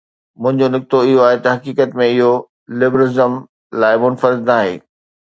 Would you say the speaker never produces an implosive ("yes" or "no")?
yes